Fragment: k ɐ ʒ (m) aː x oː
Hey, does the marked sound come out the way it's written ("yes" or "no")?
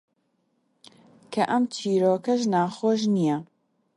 no